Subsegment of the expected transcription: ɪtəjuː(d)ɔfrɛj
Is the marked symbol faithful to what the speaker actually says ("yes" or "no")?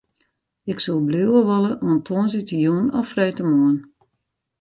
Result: no